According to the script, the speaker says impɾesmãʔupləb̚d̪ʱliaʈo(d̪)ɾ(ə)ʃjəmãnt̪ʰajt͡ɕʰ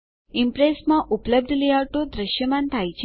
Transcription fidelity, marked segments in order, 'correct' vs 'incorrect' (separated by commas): correct, correct